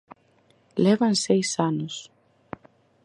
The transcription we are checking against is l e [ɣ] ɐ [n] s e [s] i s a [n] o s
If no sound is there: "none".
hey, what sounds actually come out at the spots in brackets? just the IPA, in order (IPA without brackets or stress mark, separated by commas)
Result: v, n, none, n